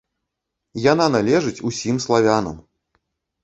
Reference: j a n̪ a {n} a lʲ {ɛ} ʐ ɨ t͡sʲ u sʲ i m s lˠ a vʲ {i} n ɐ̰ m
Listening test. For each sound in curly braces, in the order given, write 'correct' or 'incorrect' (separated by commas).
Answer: correct, correct, incorrect